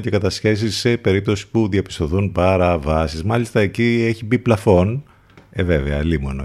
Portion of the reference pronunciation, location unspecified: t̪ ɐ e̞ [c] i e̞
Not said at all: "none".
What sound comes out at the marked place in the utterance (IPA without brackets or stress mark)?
c